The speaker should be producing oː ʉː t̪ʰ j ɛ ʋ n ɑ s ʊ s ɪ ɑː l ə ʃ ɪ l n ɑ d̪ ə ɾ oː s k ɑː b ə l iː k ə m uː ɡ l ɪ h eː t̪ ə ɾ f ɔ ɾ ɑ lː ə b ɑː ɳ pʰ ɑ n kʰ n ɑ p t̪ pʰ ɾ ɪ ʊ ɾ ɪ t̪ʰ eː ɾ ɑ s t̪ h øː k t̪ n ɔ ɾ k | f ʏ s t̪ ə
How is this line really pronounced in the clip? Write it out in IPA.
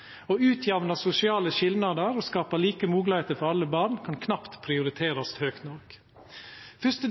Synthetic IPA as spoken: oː ʉː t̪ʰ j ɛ ʋ n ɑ s ʊ s ɪ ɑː l ə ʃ ɪ l n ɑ d̪ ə ɾ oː s k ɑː p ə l iː k ə m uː ɡ l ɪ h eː t̪ ə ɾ f ɔ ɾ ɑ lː ə b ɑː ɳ kʰ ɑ n kʰ n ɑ p t̪ pʰ ɾ ɪ ʊ ɾ ɪ t̪ʰ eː ɾ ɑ s t̪ h øː k t̪ n ɔ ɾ k | f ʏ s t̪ ə